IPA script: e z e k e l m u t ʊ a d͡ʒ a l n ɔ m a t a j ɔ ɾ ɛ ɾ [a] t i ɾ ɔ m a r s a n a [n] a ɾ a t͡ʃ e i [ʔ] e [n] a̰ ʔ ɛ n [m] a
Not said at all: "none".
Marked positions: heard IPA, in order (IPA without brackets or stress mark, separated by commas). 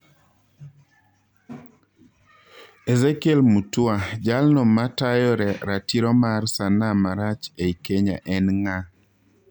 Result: a, m, k, ɲ, ŋ